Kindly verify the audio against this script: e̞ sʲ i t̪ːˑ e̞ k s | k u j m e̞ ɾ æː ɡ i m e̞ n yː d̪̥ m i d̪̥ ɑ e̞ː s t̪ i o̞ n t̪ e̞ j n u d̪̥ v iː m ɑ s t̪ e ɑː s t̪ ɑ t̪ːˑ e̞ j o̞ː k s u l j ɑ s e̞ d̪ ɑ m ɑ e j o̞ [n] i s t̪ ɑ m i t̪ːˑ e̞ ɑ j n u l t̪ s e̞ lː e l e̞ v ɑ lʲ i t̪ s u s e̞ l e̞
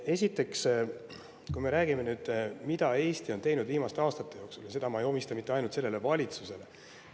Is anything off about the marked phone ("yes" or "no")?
yes